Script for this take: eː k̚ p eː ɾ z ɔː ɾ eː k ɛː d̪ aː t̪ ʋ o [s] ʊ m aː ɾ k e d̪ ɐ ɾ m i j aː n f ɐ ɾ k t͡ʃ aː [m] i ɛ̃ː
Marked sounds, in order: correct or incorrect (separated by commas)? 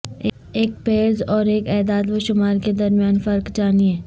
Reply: incorrect, incorrect